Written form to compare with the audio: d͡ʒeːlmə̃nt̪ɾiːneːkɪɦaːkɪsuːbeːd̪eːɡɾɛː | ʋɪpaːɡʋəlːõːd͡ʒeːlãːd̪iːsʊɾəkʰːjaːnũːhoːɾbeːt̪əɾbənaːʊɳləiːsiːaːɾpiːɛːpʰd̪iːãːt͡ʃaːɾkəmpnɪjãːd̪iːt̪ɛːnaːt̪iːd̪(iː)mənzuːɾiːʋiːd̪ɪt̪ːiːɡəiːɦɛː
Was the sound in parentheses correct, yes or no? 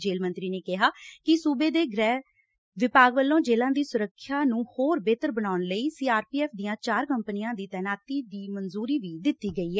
yes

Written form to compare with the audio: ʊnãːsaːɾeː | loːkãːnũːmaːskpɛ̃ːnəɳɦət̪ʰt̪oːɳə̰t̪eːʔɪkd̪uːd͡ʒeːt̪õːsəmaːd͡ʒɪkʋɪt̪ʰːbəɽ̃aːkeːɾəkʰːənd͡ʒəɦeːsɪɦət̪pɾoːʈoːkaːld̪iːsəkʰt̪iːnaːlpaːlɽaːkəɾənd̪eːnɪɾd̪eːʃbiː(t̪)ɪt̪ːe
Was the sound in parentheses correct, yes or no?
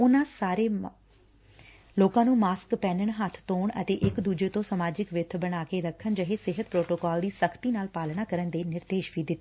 no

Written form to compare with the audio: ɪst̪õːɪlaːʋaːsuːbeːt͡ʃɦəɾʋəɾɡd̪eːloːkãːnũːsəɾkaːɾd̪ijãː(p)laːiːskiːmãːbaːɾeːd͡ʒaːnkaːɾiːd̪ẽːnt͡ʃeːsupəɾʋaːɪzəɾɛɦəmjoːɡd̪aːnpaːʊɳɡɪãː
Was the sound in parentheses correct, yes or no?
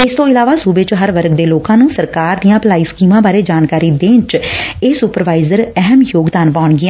yes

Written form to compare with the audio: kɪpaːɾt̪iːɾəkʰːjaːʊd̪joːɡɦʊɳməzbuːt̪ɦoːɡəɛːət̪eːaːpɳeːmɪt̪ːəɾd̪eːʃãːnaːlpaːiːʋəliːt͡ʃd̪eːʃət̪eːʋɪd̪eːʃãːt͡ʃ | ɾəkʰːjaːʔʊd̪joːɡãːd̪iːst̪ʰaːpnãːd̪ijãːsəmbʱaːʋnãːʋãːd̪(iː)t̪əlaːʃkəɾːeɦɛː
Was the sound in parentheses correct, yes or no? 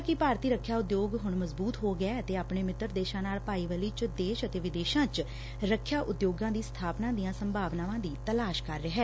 yes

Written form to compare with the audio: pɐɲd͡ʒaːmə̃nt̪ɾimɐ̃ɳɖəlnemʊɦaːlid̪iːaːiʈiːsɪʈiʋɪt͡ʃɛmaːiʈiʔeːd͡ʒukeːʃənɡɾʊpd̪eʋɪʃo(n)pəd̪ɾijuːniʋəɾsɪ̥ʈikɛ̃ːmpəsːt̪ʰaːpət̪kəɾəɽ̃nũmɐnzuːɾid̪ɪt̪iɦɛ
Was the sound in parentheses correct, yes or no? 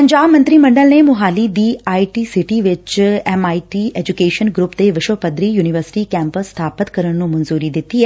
no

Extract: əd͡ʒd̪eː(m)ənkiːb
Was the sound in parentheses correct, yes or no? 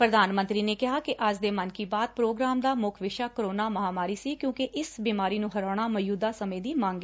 yes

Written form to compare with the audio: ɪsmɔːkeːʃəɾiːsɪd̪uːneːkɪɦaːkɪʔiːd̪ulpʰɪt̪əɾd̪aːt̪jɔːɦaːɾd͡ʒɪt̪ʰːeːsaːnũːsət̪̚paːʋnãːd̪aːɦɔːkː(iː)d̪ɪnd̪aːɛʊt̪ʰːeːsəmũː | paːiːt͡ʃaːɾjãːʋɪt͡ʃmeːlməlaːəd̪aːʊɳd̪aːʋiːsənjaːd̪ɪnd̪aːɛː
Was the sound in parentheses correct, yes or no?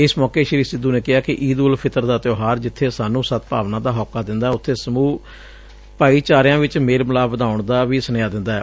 no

